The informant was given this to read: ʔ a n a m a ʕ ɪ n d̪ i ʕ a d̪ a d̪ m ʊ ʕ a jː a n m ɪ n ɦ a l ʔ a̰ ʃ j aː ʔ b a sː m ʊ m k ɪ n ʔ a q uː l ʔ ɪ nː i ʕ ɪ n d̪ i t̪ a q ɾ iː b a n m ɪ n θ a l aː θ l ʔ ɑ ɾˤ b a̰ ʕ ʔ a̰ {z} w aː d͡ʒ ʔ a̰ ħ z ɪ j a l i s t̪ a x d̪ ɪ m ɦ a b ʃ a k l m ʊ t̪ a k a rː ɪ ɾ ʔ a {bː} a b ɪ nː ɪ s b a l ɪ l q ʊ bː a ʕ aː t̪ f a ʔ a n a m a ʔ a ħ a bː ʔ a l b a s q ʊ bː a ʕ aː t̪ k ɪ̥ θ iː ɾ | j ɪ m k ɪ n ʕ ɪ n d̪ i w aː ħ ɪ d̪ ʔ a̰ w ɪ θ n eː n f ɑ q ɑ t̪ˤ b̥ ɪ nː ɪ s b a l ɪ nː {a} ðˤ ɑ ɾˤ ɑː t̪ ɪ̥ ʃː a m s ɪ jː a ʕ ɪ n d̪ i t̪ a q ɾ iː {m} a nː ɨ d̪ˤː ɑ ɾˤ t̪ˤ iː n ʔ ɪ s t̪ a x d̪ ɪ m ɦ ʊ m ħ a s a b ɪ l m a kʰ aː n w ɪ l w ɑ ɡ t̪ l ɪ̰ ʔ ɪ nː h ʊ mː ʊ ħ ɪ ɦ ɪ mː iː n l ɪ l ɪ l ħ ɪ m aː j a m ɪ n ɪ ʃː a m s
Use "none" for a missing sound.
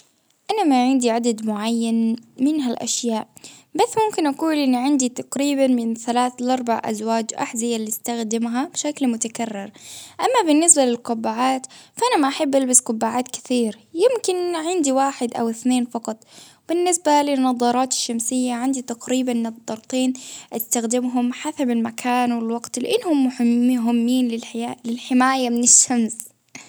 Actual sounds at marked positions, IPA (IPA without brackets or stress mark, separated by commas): z, mː, ɑ, b